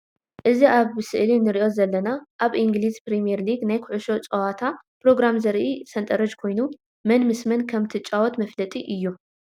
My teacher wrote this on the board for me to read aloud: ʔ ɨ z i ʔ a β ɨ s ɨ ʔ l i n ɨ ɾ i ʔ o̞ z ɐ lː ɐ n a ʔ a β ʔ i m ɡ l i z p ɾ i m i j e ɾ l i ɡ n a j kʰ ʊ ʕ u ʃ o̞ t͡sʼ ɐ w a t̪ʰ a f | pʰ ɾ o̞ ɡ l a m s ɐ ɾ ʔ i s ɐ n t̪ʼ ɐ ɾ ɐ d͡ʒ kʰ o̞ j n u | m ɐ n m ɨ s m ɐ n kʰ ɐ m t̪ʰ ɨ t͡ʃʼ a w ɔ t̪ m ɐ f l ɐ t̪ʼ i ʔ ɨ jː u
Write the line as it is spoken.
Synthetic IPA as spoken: ʔ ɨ z i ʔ a β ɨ s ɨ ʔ l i n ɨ ɾ i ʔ o̞ z ɐ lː ɐ n a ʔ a β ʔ i ŋ ɡ l i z p ɾ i m i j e ɾ l i ɡ n a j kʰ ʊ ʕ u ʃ o̞ t͡sʼ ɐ w a t̪ʰ a | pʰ ɾ o̞ ɡ ɾ a m z ɐ ɾ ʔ i s ɐ n t̪ʼ ɐ ɾ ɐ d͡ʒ kʰ o̞ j n u | m ɐ n m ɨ s m ɐ n kʰ ɐ m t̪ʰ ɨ t͡ʃʼ a w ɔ t̪ m ɐ f l ɐ t̪ʼ i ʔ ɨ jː u